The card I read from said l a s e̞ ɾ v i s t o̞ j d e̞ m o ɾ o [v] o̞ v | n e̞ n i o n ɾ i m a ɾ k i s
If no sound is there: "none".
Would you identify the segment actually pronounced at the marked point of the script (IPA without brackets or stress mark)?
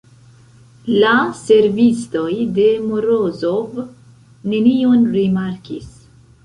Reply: z